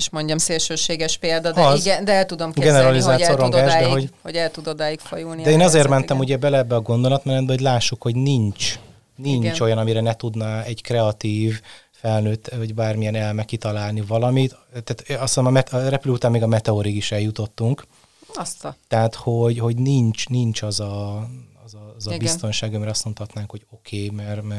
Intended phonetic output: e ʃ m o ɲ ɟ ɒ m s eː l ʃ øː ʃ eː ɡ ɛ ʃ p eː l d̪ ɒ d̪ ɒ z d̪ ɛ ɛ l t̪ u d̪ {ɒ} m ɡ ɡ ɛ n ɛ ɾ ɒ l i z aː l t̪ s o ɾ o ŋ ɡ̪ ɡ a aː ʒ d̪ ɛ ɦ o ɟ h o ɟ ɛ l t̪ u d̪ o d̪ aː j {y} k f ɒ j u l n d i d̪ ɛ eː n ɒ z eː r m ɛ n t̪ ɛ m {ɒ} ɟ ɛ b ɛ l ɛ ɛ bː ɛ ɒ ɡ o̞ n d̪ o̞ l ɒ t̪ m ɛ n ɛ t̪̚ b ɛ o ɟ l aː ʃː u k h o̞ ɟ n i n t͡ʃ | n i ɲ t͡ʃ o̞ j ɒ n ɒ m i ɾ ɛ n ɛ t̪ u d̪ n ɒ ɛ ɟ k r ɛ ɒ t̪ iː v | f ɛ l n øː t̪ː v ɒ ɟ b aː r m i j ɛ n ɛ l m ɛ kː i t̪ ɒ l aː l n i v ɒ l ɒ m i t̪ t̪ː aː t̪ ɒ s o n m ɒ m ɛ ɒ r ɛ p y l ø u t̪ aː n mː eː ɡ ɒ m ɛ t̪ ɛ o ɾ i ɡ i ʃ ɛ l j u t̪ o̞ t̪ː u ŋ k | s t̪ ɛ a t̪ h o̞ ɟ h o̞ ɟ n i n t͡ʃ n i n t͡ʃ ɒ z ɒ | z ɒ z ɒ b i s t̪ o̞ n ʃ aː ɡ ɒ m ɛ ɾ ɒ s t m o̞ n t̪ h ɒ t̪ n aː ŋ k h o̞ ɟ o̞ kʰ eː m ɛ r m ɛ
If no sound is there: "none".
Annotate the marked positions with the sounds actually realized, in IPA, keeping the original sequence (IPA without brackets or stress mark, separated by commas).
o, i, u